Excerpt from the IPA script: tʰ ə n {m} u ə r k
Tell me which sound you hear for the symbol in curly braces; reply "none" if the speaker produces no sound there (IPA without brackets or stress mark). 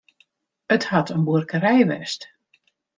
b